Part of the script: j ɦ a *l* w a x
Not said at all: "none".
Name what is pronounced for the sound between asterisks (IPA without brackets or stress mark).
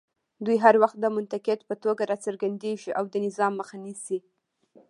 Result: ɾ